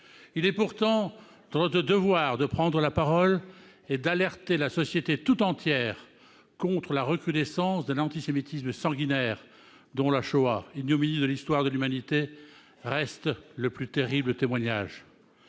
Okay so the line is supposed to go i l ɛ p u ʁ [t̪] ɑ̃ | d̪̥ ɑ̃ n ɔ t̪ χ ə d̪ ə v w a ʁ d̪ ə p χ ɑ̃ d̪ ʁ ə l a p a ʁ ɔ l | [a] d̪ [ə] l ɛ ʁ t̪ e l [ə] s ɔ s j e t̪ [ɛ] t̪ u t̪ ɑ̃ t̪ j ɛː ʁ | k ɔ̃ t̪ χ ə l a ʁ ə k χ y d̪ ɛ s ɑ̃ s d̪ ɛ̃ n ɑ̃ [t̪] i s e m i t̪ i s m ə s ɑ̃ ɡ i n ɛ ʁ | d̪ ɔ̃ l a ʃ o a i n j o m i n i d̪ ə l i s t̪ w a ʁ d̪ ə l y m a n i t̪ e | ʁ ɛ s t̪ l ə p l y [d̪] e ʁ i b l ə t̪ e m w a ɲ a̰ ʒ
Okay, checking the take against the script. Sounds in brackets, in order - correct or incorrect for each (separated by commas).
correct, incorrect, incorrect, incorrect, incorrect, correct, incorrect